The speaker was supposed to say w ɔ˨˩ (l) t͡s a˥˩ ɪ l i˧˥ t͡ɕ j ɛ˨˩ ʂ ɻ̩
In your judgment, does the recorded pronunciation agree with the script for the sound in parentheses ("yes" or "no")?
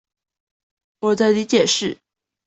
no